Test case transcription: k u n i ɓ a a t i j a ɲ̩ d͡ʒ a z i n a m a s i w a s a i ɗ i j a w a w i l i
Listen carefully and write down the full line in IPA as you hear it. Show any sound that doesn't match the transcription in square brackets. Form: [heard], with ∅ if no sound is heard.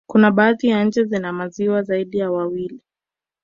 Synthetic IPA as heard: k u n [a] ɓ a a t i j a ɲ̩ d͡ʒ [ɛ] z i n a m a [z] i w a [z] a i ɗ i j a w a w i l i